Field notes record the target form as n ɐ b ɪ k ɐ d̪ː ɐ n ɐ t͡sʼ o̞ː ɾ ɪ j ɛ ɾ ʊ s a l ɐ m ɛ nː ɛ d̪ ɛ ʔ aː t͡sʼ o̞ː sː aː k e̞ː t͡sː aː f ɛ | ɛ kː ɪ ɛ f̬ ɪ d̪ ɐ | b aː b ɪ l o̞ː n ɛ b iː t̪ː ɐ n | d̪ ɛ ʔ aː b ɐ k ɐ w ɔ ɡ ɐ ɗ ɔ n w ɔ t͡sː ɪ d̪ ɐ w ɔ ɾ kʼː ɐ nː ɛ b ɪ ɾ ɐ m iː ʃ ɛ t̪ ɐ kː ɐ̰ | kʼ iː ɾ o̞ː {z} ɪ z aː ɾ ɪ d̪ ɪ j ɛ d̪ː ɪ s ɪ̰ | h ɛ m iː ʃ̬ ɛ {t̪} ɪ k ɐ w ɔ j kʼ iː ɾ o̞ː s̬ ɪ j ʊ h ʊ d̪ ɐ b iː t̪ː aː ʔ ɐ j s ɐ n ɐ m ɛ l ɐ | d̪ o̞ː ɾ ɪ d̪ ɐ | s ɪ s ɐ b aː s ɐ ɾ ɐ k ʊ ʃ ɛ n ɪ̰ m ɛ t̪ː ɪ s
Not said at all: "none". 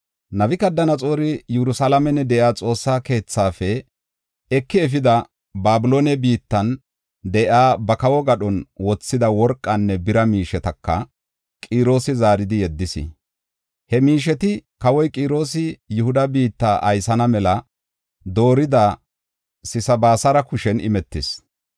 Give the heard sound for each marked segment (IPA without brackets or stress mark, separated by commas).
s, t̪